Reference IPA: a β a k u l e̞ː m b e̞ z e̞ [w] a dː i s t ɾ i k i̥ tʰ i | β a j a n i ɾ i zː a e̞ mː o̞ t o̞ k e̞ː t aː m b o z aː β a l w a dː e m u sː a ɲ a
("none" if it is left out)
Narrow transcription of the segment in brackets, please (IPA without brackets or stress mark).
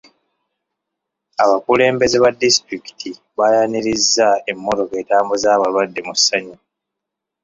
β